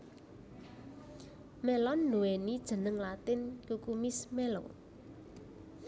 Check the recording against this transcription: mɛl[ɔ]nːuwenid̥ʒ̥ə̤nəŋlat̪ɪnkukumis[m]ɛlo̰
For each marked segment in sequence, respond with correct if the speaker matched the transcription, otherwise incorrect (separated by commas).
correct, correct